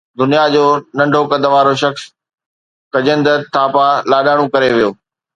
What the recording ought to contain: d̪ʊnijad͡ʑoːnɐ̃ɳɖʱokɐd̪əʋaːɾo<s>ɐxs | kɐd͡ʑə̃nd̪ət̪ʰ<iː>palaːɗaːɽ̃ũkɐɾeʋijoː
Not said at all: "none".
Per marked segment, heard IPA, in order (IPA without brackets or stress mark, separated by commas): ʃ, aː